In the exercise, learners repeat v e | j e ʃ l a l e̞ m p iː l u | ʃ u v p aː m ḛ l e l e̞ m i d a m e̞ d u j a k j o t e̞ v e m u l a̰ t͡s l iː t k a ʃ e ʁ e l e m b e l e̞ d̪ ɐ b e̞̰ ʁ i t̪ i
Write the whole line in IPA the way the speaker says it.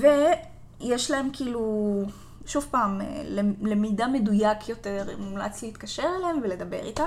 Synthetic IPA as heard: v e | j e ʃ l a e̞ m k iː l u | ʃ u v p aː m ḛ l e l e̞ m i d a m e̞ d u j a k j o t e̞ ʁ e m u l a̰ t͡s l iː t k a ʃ e ʁ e l e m v e l e̞ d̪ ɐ b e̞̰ ʁ i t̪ a